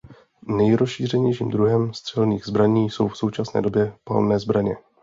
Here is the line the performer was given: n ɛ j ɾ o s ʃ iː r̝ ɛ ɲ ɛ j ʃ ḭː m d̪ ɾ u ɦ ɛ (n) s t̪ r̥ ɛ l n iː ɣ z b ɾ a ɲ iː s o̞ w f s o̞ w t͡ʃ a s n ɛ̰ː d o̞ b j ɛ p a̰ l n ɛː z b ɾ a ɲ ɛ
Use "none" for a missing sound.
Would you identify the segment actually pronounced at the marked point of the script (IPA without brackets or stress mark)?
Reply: m